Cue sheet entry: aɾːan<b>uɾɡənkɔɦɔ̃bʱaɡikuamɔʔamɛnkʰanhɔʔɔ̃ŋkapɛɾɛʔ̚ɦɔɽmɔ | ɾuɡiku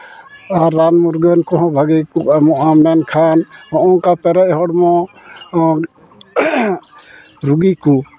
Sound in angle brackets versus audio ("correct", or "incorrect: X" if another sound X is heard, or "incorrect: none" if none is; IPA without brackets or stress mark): incorrect: m